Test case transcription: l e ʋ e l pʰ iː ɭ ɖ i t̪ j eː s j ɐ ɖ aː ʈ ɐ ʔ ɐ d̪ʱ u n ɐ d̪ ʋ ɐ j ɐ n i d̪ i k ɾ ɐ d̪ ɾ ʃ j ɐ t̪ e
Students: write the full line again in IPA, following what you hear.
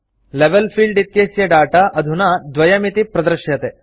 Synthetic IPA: l e ʋ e l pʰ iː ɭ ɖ i t̪ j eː s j ɐ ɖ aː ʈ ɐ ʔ ɐ d̪ʱ u n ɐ d̪ ʋ ɐ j ɐ m i t̪ i p ɾ ɐ d̪ ɾ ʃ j ɐ t̪ e